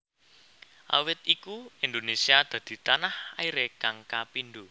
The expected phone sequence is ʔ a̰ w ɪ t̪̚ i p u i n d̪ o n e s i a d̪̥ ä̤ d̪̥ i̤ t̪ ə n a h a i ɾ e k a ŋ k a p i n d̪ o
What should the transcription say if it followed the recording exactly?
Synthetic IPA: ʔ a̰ w ɪ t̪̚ i k u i n d̪ o n e s i a d̪̥ ä̤ d̪̥ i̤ t̪ a n a h a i ɾ e k a ŋ k a p i n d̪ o